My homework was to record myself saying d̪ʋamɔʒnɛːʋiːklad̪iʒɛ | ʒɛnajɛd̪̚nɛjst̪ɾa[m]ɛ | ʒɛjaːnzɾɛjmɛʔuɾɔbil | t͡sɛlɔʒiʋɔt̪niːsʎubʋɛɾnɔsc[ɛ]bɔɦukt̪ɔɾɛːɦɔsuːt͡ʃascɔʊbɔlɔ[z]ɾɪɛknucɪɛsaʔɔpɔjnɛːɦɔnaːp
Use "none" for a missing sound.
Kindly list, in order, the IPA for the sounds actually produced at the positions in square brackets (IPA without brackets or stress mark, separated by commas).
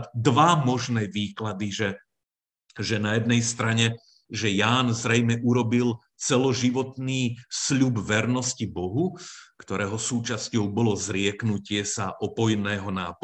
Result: ɲ, i, z